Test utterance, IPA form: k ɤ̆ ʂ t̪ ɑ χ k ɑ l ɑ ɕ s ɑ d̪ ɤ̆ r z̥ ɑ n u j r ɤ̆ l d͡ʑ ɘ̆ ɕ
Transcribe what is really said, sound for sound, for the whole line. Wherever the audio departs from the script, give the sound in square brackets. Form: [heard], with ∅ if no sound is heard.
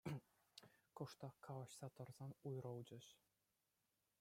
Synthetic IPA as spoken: k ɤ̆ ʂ t̪ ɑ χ k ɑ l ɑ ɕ s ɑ [t̪] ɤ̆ r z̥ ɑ n u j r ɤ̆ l d͡ʑ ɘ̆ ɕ